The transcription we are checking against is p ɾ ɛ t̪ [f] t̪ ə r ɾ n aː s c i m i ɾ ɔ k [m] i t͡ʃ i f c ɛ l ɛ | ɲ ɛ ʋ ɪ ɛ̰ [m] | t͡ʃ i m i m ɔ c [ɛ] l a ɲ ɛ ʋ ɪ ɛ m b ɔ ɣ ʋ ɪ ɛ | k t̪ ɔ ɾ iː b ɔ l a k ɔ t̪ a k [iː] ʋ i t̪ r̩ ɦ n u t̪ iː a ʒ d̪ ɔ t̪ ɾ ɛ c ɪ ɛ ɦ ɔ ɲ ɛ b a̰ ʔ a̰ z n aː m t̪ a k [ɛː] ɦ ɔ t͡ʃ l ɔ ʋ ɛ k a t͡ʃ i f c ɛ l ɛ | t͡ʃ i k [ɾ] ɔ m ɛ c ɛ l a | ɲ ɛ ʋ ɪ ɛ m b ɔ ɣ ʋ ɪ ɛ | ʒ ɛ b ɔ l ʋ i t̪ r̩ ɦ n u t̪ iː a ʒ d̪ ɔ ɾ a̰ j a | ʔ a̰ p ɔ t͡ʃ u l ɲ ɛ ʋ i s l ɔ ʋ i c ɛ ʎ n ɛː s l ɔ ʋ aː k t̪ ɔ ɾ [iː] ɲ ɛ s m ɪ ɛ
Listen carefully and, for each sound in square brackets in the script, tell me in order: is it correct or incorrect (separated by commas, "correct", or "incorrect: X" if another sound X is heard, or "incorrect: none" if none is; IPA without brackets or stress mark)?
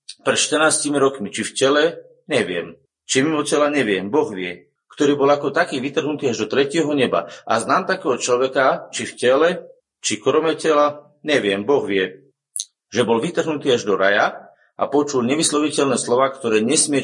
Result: incorrect: ʃ, correct, correct, correct, correct, correct, correct, incorrect: ɛː